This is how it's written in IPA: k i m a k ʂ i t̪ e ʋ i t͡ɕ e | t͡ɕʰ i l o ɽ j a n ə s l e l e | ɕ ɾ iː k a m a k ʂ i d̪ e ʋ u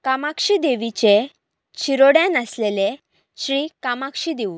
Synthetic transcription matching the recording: k a m a k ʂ i d̪ e ʋ i t͡ɕ e | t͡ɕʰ i ɾ o ɽ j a n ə s l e l e | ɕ ɾ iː k a m a k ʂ i d̪ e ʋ u